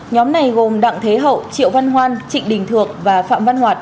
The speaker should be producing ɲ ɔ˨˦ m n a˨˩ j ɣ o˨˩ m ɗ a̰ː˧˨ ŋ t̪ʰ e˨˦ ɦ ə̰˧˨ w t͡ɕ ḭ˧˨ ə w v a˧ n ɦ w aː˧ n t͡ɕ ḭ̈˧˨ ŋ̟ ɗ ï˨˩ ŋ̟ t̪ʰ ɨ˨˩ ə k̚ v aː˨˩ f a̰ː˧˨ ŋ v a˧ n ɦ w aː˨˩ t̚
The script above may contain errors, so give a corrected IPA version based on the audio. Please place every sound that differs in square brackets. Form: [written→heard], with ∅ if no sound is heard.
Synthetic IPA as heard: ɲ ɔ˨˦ m n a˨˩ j ɣ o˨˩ m ɗ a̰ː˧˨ ŋ t̪ʰ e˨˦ ɦ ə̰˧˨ w t͡ɕ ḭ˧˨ ə w v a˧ n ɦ w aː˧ n t͡ɕ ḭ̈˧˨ ŋ̟ ɗ ï˨˩ ŋ̟ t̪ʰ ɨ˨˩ ə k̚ v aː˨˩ f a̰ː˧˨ [ŋ→m] v a˧ n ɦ w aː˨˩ t̚